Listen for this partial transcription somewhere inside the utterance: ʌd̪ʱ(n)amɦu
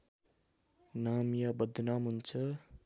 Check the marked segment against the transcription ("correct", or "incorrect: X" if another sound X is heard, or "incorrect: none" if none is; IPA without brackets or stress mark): correct